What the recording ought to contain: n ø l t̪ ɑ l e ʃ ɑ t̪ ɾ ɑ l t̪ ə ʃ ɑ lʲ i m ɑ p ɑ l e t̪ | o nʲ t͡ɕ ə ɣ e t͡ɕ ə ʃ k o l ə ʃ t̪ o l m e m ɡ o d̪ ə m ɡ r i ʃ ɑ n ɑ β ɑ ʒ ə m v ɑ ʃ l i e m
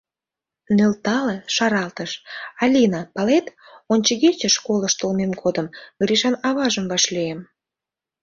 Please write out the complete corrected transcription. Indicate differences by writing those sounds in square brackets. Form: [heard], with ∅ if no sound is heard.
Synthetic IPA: n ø l t̪ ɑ l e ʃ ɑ [∅] ɾ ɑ l t̪ ə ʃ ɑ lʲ i [n] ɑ p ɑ l e t̪ | o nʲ t͡ɕ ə ɣ e t͡ɕ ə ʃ k o l ə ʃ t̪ o l m e m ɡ o d̪ ə m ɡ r i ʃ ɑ n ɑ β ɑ ʒ ə m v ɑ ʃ l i e m